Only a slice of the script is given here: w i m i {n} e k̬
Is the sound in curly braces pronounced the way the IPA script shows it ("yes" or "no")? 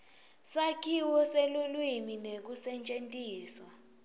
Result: yes